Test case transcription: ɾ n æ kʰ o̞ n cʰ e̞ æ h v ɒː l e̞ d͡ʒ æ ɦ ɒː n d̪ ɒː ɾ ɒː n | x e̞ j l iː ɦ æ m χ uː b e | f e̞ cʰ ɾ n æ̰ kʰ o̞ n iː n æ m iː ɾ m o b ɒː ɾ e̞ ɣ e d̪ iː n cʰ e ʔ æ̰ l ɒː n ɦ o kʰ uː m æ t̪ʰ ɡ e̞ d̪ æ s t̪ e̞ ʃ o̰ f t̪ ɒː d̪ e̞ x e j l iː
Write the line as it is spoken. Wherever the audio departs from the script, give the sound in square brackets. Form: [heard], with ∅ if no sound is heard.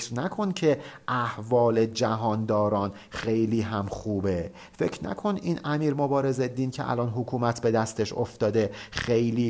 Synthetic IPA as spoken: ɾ n æ kʰ o̞ n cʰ e̞ æ h v ɒː l e̞ d͡ʒ æ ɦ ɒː n d̪ ɒː ɾ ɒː n | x e̞ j l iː ɦ æ m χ uː b e | f e̞ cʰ ɾ n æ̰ kʰ o̞ n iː n æ m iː ɾ m o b ɒː ɾ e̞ [z] e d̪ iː n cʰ e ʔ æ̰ l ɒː n ɦ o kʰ uː m æ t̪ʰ [b] e̞ d̪ æ s t̪ e̞ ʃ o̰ f t̪ ɒː d̪ e̞ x e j l iː